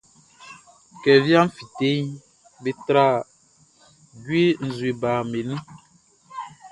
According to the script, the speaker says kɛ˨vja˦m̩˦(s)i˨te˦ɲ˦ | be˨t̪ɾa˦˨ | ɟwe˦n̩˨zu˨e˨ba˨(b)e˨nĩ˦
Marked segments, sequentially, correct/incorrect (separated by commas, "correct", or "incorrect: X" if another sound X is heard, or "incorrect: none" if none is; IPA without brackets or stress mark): incorrect: f, incorrect: m